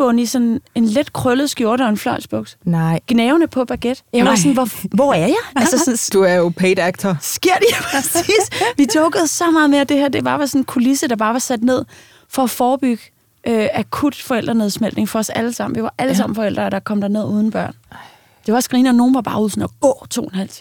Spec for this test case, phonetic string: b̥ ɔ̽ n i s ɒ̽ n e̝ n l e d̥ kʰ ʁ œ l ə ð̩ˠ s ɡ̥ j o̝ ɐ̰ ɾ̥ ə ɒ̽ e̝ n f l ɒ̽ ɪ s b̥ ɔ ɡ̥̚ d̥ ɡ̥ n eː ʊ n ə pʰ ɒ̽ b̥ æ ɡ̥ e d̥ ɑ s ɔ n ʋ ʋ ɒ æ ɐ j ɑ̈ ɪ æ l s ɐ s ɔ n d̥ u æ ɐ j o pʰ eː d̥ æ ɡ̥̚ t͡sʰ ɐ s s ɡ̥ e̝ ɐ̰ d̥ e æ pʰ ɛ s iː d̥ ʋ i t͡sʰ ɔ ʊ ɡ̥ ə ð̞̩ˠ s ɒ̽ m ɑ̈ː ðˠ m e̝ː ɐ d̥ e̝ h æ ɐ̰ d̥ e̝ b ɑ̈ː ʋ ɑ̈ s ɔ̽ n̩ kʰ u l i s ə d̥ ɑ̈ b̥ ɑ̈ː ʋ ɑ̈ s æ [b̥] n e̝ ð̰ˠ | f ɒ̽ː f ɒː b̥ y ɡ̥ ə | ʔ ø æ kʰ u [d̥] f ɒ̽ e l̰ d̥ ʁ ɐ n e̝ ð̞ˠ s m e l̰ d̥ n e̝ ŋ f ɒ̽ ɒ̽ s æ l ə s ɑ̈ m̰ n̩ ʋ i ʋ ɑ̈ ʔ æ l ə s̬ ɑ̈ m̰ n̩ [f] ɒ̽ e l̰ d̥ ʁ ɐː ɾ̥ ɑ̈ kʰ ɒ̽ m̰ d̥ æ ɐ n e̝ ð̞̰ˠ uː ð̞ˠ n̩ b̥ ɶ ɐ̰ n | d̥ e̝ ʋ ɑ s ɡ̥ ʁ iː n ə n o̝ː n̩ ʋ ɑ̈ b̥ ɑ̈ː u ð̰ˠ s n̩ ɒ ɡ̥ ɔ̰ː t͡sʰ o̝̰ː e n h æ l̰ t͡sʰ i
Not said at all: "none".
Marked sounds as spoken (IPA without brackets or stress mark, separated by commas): d̥, d̥, f